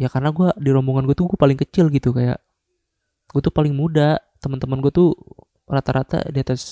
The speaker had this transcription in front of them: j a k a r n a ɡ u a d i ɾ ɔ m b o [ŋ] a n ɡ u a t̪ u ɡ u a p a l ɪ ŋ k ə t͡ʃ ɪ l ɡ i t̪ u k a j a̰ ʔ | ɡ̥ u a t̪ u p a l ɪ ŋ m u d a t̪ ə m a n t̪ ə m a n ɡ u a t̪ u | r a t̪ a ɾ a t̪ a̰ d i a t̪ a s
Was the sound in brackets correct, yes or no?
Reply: yes